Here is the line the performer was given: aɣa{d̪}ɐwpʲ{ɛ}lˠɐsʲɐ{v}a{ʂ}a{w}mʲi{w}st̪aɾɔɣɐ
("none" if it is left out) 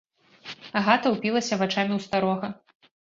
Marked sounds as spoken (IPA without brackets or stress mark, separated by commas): t̪, i, v, t͡ʂ, none, w